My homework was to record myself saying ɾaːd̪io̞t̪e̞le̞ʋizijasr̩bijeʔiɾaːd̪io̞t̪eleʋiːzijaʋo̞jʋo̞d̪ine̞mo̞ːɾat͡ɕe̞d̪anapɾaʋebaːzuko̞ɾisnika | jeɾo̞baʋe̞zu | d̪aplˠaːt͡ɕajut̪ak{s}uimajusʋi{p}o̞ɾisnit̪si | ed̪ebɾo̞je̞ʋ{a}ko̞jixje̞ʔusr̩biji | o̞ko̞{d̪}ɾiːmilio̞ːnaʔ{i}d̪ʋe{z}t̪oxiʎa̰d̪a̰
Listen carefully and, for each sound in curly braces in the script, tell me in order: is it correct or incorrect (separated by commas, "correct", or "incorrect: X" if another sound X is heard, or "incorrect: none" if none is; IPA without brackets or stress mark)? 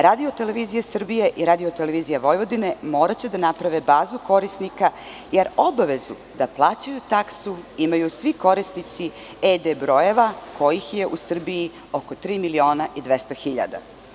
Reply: correct, incorrect: k, correct, incorrect: t̪, correct, incorrect: s